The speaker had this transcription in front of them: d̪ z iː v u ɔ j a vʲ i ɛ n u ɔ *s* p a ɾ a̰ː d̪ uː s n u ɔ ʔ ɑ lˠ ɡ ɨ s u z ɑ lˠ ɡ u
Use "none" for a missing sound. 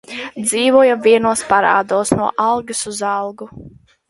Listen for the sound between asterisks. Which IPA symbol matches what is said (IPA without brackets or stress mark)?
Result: s